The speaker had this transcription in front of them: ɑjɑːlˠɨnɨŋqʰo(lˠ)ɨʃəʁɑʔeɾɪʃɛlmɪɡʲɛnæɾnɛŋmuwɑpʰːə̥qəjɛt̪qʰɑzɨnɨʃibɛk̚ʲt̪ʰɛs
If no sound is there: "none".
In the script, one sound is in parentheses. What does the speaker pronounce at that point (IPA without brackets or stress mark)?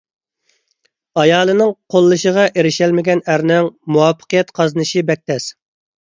lˠː